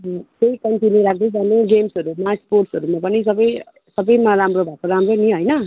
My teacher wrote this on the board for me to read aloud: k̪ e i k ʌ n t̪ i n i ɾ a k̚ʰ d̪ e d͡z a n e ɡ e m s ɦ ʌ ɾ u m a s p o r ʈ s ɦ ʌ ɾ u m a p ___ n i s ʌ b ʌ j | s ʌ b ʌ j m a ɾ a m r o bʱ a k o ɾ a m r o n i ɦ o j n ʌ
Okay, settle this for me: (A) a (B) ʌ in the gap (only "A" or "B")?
B